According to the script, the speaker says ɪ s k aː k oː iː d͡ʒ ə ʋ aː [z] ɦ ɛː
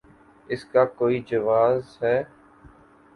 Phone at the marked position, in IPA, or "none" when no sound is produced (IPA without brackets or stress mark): z